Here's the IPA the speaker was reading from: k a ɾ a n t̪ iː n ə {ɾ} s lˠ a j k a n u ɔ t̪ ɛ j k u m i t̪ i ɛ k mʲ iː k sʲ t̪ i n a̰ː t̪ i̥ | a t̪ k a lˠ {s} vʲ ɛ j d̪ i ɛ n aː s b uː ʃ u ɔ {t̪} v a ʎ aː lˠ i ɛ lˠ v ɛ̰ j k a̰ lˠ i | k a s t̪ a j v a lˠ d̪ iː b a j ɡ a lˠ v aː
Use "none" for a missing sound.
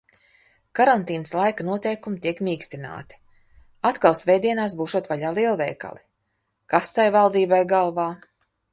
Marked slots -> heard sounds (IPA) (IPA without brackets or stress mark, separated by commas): none, s, t̪